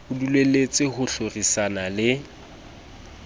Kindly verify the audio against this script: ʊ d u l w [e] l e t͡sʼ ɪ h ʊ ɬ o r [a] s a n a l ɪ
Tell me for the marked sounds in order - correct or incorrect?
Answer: correct, incorrect: i

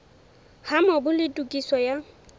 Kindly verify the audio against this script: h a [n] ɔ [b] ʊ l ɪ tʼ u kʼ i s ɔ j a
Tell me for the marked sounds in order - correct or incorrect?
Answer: incorrect: m, correct

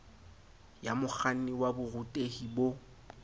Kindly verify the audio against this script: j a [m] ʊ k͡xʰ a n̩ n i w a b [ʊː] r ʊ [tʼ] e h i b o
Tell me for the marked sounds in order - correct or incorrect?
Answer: correct, incorrect: ʊ, correct

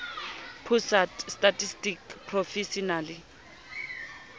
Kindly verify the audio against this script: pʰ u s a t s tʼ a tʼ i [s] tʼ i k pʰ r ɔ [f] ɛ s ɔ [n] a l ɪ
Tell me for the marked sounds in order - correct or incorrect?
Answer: correct, correct, correct

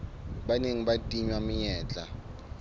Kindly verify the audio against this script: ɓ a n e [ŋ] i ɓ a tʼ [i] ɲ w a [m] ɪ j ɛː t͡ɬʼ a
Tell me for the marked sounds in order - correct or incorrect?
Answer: correct, correct, correct

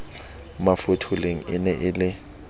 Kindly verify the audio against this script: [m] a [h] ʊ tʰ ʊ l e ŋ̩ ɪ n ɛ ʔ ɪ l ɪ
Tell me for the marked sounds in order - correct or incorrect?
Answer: correct, incorrect: f

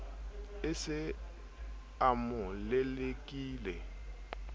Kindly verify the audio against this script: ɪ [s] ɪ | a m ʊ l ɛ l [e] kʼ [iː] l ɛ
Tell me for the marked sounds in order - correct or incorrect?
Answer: correct, correct, correct

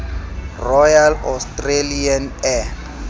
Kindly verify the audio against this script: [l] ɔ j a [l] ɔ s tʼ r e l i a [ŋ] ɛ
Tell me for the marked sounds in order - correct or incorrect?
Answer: incorrect: r, correct, incorrect: n

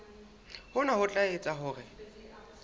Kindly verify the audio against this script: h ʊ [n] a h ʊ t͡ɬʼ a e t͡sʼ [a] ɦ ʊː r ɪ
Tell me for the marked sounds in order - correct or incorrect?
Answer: correct, correct

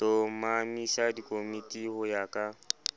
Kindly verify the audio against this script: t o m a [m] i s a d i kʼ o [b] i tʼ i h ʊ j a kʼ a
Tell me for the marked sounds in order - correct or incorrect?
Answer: correct, incorrect: m

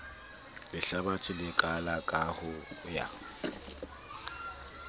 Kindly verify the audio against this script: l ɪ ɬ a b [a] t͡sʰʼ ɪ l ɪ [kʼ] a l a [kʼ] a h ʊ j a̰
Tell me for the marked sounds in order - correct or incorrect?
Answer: correct, correct, correct

